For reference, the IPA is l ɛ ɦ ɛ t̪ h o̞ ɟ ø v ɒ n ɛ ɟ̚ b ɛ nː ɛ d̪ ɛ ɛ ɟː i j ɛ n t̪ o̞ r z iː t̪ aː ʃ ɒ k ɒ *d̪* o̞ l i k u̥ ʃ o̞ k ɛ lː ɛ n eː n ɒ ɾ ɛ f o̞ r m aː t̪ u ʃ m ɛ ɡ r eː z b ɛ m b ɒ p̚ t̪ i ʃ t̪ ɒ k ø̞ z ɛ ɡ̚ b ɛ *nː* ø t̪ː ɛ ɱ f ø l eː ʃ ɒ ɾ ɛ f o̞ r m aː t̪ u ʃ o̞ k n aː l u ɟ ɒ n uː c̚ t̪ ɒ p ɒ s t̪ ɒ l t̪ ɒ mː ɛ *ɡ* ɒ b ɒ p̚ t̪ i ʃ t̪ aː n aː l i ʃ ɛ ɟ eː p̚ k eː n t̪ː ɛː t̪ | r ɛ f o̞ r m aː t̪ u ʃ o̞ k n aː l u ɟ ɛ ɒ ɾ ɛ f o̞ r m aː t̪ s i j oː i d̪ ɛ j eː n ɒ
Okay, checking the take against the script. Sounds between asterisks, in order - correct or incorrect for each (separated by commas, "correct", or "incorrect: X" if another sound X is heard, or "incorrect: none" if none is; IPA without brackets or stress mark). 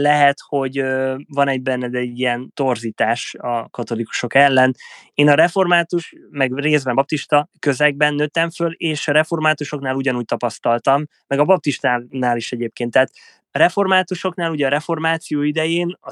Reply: incorrect: t̪, correct, correct